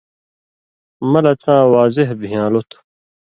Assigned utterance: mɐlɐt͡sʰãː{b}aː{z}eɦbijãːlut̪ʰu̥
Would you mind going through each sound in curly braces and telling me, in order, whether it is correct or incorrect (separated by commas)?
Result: incorrect, correct